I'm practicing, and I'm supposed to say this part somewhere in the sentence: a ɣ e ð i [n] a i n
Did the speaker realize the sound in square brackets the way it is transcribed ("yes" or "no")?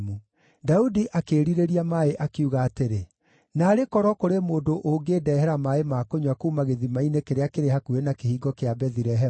no